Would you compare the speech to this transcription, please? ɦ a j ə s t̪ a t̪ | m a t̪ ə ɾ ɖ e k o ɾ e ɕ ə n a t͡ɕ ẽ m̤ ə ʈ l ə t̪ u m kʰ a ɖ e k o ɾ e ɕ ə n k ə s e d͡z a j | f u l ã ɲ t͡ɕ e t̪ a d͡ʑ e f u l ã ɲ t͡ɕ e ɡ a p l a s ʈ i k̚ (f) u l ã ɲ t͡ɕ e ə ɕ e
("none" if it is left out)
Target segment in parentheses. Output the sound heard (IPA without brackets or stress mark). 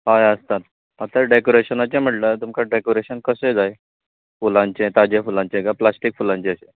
f